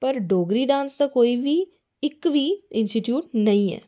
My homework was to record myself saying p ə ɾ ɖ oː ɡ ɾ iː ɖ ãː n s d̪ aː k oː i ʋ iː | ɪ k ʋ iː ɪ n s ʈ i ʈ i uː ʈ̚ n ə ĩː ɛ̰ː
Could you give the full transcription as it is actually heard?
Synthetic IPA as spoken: p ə ɾ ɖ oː ɡ ɾ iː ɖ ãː n s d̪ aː k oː i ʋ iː | ɪ k ʋ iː ɪ n s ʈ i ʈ j uː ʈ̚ n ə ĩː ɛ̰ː